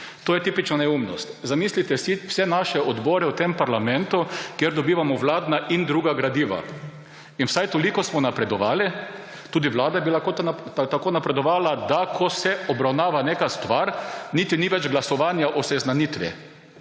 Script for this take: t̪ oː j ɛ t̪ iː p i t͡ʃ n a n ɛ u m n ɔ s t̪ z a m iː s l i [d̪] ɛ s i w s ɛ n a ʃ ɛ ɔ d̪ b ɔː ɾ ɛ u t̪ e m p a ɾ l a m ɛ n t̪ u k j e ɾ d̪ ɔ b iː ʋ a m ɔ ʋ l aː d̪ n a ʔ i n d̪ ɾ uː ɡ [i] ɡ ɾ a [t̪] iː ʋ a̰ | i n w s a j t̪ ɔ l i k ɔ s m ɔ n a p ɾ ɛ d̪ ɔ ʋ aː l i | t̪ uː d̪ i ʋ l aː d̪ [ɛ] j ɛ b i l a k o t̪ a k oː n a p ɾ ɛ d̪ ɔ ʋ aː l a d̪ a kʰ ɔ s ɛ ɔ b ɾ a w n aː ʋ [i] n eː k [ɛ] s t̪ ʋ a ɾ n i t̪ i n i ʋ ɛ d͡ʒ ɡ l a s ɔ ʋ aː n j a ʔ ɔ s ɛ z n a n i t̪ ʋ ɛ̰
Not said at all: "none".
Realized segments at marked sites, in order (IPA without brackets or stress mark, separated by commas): t̪, a, d̪, a, a, a